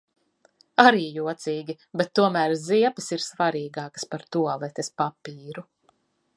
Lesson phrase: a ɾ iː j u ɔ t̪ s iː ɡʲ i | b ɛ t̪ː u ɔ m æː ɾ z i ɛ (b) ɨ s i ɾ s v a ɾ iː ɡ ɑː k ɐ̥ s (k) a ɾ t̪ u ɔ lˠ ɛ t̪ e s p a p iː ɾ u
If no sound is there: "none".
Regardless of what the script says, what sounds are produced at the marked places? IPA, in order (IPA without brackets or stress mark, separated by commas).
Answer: p, p